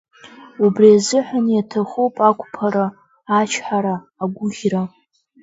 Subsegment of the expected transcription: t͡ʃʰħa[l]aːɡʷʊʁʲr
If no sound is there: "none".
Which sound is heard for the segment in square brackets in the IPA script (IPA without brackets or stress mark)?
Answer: ɾ